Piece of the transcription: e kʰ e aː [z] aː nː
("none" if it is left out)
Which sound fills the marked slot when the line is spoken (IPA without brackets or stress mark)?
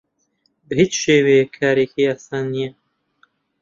s